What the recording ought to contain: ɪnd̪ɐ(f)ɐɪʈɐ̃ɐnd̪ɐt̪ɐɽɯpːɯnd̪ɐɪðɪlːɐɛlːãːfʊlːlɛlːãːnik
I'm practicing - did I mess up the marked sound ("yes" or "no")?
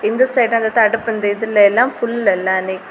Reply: yes